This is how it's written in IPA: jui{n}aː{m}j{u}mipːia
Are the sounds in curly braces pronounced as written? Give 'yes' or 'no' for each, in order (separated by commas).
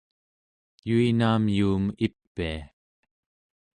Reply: yes, yes, no